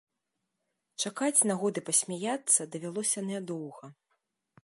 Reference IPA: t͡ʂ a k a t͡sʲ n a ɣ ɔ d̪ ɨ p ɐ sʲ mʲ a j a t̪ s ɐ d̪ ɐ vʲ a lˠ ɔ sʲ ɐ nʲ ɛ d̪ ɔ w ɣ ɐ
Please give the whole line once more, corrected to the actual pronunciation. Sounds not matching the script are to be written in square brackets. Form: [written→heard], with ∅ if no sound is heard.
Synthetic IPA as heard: t͡ʂ a k a t͡sʲ n a ɣ ɔ d̪ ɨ p ɐ sʲ mʲ a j a t̪ [s→sː] ɐ d̪ ɐ vʲ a lˠ ɔ sʲ ɐ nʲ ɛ d̪ ɔ w ɣ ɐ